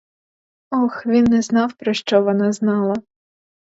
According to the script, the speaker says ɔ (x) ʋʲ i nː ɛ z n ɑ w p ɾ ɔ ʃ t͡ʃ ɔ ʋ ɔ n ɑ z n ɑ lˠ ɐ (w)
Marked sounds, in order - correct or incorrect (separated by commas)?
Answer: correct, incorrect